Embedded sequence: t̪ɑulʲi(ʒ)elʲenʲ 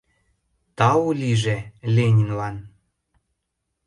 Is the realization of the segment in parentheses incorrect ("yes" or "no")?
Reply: no